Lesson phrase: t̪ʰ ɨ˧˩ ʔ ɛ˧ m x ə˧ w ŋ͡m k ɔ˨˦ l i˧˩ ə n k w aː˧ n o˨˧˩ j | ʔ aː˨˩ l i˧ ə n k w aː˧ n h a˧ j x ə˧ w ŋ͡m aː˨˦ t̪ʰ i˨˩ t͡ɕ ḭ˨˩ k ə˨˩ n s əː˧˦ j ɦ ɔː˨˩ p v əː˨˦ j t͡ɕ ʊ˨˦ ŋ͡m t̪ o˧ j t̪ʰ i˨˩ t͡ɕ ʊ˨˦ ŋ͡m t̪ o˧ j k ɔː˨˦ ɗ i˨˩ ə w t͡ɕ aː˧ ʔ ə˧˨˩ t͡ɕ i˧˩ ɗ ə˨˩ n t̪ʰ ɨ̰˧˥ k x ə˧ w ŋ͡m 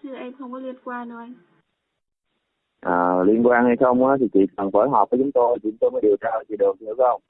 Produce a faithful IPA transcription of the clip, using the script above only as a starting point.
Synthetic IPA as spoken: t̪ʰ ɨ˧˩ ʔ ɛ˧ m x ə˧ w ŋ͡m k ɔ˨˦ l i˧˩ ə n k w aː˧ n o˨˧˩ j | ʔ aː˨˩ l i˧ ə n k w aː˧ n h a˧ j x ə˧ w ŋ͡m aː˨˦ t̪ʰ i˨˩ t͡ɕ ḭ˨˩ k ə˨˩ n f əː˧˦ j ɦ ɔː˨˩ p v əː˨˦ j t͡ɕ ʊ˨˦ ŋ͡m t̪ o˧ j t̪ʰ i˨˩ t͡ɕ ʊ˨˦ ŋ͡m t̪ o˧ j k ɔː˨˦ ɗ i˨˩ ə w t͡ɕ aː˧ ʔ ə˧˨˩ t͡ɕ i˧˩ ɗ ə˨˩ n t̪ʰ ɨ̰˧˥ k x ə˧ w ŋ͡m